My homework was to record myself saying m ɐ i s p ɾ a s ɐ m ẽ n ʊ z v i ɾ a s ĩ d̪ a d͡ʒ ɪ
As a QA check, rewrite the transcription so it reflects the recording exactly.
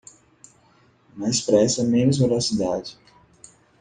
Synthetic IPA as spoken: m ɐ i s p ɾ ɛ s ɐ m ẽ n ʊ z v e ɾ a s i d̪ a d͡ʒ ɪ